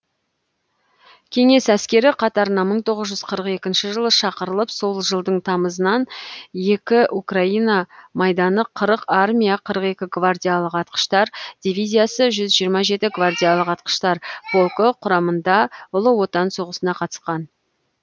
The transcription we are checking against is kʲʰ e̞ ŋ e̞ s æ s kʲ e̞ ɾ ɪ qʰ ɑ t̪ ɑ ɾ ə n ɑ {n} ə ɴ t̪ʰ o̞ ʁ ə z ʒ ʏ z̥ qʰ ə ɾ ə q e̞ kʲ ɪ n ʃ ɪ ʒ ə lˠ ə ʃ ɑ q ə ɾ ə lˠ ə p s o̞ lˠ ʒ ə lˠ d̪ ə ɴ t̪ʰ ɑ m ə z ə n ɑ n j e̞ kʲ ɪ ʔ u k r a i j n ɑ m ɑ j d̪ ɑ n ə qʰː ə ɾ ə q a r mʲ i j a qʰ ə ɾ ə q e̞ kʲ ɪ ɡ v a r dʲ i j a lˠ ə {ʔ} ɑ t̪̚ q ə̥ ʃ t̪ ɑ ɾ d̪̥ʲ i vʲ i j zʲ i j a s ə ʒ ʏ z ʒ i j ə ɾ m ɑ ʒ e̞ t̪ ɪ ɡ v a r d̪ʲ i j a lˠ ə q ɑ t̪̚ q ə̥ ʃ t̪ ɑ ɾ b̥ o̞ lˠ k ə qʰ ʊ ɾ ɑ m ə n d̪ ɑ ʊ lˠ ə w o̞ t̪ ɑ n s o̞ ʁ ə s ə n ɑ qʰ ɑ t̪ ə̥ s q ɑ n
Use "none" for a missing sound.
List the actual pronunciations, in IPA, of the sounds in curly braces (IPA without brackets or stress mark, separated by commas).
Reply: m, q